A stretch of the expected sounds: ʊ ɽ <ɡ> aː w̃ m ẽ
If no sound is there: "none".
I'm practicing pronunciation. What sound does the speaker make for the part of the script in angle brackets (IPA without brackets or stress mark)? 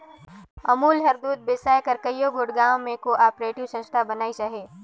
ɡ